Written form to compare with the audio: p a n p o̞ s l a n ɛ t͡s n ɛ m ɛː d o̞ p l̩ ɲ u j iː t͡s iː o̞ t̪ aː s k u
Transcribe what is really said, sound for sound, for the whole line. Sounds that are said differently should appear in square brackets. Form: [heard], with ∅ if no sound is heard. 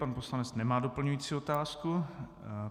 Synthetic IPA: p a n p o̞ s l a n ɛ t͡s n ɛ m [aː] d o̞ p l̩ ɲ u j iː t͡s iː o̞ t̪ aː s k u